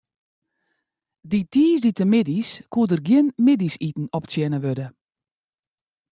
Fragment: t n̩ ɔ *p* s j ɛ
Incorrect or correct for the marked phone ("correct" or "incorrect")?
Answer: correct